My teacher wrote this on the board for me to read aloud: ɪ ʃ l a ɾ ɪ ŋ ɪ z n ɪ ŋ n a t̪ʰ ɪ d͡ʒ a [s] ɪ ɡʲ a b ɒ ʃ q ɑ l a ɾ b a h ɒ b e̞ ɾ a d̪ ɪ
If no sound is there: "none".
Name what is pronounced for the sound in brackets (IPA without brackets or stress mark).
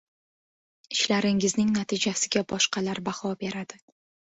s